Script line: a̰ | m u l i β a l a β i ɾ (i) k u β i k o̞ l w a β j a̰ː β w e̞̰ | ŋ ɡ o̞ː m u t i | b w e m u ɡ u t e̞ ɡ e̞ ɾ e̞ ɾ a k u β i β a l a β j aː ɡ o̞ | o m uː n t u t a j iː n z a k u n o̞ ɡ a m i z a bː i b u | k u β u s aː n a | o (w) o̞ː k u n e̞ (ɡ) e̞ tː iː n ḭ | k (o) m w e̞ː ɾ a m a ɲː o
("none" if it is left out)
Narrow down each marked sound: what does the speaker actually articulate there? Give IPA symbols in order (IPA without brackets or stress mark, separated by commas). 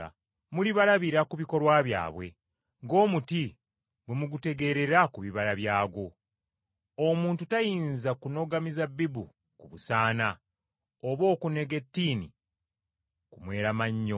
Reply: a, β, ɡ, u